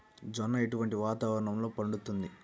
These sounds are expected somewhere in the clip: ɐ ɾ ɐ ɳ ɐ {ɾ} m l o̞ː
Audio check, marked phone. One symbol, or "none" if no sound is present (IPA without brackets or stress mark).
none